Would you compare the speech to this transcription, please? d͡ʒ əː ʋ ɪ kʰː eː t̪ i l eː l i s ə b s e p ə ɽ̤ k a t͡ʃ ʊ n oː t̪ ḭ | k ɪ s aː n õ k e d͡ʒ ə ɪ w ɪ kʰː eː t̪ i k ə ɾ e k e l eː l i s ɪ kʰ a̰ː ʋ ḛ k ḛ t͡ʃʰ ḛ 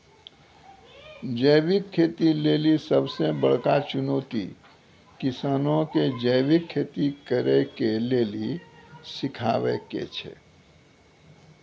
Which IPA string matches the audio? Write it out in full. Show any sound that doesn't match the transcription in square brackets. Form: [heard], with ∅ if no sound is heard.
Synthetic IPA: d͡ʒ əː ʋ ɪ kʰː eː t̪ i l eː l i s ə b s e [b] ə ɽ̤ k a t͡ʃ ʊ n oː t̪ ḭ | k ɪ s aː n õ k e d͡ʒ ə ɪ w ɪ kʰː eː t̪ i k ə ɾ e k e l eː l i s ɪ kʰ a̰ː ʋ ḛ k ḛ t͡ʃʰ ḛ